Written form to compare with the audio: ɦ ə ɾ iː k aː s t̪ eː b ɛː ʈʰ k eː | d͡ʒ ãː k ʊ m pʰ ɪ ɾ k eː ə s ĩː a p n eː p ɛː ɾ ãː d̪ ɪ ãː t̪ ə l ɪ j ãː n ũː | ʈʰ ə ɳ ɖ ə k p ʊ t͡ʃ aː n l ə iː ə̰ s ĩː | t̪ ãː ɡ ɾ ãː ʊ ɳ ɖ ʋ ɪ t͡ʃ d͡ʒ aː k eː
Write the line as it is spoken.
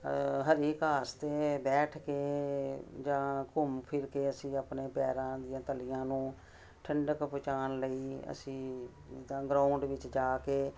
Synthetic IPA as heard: ɦ ə ɾ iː k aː s t̪ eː b ɛː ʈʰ k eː | d͡ʒ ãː k ʊ m pʰ ɪ ɾ k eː ə s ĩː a p n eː p ɛː ɾ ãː d̪ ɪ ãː t̪ ə l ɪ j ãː n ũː | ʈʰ ə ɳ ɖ ə k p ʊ t͡ʃ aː n l ə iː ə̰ s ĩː | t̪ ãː ɡ ɾ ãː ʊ ɳ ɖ ʋ ɪ t͡ʃ d͡ʒ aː k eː

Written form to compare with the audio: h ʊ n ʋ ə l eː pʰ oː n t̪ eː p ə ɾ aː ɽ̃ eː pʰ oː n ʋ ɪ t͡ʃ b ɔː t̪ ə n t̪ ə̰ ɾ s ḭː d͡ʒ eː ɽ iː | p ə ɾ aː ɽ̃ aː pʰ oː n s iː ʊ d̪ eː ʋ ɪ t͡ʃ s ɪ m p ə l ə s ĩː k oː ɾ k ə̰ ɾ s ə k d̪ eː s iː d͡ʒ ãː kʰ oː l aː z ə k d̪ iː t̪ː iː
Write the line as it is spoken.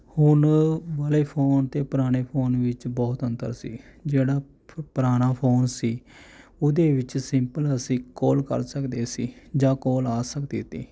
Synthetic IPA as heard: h ʊ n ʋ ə l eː pʰ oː n t̪ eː p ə ɾ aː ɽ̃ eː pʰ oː n ʋ ɪ t͡ʃ b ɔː t̪ ə n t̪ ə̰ ɾ s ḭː d͡ʒ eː ɽ aː | p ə ɾ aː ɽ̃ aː pʰ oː n s iː ʊ d̪ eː ʋ ɪ t͡ʃ s ɪ m p ə l ə s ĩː k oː l k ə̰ ɾ s ə k d̪ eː s iː d͡ʒ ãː k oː l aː s ə k d̪ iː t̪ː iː

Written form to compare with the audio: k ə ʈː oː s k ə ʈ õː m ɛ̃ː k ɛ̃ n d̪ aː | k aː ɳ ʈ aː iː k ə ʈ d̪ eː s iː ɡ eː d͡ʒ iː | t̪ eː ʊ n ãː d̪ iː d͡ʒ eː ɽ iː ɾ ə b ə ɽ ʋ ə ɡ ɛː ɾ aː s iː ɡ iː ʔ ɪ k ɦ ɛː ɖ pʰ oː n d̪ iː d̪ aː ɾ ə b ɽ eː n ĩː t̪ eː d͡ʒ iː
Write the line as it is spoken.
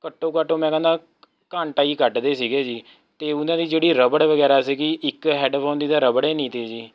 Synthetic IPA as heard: k ə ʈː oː k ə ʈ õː m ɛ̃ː k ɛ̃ n d̪ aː | k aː ɳ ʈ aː iː k ə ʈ d̪ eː s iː ɡ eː d͡ʒ iː | t̪ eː ʊ n ãː d̪ iː d͡ʒ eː ɽ iː ɾ ə b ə ɽ ʋ ə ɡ ɛː ɾ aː s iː ɡ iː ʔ ɪ k ɦ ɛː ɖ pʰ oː n d̪ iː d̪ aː ɾ ə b ɽ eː n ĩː t̪ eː d͡ʒ iː

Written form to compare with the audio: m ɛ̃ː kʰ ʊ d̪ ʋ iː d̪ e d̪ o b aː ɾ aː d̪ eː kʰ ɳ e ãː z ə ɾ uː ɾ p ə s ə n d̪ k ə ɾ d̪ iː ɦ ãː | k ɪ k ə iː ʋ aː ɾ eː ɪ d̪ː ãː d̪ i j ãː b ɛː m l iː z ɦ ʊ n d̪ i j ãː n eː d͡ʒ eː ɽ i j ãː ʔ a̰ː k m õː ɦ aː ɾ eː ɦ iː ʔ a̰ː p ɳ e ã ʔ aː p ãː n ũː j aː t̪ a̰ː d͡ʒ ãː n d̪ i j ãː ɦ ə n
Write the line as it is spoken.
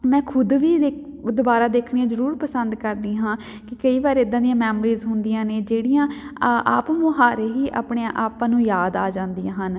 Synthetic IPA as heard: m ɛ̃ː kʰ ʊ d̪ ʋ iː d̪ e d̪ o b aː ɾ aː d̪ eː kʰ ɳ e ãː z ə ɾ uː ɾ p ə s ə n d̪ k ə ɾ d̪ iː ɦ ãː | k ɪ k ə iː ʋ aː ɾ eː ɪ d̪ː ãː d̪ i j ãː m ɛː m ɾ iː z ɦ ʊ n d̪ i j ãː n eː d͡ʒ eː ɽ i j ãː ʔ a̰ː p m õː ɦ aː ɾ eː ɦ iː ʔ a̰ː p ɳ e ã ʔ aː p ãː n ũː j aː d̪ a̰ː d͡ʒ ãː n d̪ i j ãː ɦ ə n

